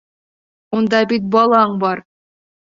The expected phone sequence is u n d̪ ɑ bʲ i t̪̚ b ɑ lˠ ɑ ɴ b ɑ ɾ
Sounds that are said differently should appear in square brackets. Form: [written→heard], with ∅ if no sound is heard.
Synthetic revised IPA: u n d̪ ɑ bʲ i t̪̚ b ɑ lˠ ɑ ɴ b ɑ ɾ